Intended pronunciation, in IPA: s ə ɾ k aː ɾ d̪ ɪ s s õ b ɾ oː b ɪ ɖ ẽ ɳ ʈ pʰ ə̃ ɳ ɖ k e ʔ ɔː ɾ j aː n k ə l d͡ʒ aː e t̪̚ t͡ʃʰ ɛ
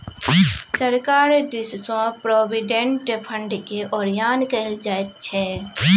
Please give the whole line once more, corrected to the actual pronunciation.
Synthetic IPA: s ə ɾ k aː ɾ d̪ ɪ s s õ p ɾ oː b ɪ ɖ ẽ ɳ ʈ pʰ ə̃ ɳ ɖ k e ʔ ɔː ɾ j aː n k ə l d͡ʒ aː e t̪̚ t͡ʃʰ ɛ